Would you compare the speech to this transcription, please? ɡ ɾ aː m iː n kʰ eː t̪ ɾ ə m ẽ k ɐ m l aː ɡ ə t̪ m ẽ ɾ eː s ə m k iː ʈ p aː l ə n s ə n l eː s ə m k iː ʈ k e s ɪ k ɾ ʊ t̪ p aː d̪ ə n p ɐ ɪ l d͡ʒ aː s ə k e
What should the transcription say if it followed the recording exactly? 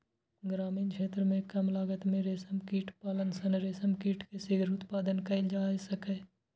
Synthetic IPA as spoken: ɡ ɾ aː m iː n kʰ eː t̪ ɾ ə m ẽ k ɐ m l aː ɡ ə t̪ m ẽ ɾ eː s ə m k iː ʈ p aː l ə n s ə n ɾ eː s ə m k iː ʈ k e s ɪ ɡ ɾ ʊ t̪ p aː d̪ ə n k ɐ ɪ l d͡ʒ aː s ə k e